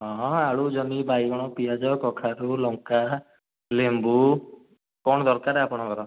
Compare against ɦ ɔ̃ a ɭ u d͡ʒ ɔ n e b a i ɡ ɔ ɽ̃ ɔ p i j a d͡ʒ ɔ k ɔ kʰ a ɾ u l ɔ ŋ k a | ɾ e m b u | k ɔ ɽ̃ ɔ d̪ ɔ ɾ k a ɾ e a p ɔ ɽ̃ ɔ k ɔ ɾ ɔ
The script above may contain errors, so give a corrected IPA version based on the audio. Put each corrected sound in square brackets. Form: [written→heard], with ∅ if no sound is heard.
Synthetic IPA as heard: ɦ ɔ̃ a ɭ u d͡ʒ ɔ n [e→i] b a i ɡ ɔ ɽ̃ ɔ p i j a d͡ʒ ɔ k ɔ kʰ a ɾ u l ɔ ŋ k a | [ɾ→l] e m b u | k ɔ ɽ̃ ɔ d̪ ɔ ɾ k a ɾ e a p ɔ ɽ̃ ɔ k ɔ ɾ ɔ